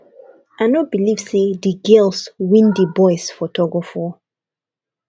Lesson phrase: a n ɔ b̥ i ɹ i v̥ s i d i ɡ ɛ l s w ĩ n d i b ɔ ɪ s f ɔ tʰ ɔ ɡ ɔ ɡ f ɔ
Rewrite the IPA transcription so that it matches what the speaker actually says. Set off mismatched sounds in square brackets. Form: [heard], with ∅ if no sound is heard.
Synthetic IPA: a n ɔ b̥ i [l] i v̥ s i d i ɡ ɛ l s w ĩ n d i b ɔ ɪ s f ɔ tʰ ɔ ɡ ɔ [∅] f ɔ